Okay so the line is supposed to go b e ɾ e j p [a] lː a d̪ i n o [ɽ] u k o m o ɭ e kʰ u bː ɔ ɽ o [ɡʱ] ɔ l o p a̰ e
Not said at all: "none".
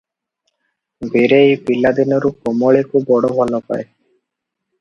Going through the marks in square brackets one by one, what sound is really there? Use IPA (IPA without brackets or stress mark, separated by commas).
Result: i, ɾ, bʱ